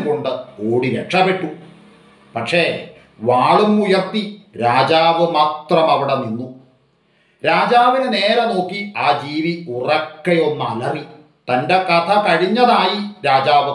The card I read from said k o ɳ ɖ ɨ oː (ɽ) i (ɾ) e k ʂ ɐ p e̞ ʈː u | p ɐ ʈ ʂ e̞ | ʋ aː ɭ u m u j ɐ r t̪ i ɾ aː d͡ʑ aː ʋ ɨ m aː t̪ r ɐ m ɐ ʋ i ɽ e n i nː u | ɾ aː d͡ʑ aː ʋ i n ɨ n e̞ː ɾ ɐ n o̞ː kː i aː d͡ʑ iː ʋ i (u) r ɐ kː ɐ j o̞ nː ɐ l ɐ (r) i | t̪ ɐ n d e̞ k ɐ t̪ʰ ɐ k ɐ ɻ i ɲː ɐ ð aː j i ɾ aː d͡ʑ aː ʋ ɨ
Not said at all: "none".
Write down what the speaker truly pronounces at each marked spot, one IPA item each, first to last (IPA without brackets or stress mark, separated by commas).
ɽ, ɾ, u, r